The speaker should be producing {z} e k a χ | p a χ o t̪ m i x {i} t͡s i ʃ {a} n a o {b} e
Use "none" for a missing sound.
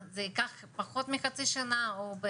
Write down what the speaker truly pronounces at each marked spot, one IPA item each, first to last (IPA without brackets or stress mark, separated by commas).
z, a, a, b